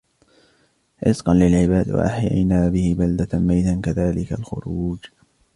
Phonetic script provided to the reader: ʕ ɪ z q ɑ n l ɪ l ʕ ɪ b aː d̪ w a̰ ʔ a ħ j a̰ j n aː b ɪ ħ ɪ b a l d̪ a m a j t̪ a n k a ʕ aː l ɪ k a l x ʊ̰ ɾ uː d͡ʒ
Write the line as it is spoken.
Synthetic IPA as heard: ʕ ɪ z q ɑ n l ɪ l ʕ ɪ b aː d̪ w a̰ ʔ a ħ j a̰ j n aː b ɪ h ɪ b a l d̪ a m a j t̪ a n k a ð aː l ɪ k a l x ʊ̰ ɾ uː d͡ʒ